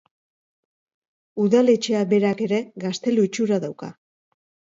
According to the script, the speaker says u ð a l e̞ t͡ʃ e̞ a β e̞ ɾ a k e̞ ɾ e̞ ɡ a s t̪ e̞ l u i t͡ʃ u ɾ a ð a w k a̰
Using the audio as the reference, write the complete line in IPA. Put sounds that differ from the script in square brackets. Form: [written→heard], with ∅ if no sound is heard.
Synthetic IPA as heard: u ð a l e̞ t͡ʃ e̞ a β e̞ ɾ a k e̞ ɾ e̞ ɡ a s t̪ e̞ l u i t͡ʃ u ɾ a ð a w k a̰